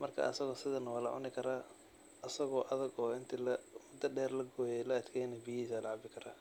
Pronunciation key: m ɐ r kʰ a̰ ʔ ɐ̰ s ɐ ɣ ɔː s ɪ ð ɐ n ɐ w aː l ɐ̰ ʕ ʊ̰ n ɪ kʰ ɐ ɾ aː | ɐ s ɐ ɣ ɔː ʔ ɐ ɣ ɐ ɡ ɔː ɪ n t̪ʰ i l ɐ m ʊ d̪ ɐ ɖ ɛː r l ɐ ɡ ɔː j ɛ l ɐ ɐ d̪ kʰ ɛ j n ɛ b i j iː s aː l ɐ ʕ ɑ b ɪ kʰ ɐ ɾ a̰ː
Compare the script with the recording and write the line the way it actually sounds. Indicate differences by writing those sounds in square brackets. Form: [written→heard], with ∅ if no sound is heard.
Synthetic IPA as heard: m ɐ r kʰ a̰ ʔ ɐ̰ s ɐ ɣ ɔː s ɪ ð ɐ n ɐ w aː l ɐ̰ ʕ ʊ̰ n ɪ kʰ ɐ ɾ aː | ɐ s ɐ ɣ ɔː ʔ ɐ [ɣ→ð] ɐ ɡ ɔː ɪ n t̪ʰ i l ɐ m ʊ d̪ ɐ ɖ ɛː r l ɐ ɡ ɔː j ɛ l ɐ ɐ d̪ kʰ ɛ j n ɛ b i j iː s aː l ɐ ʕ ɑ b ɪ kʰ ɐ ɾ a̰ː